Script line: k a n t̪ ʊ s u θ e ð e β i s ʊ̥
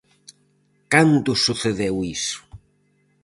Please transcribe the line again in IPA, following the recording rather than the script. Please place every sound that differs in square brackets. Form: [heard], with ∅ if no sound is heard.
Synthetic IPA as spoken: k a n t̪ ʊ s u θ e ð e [w] i s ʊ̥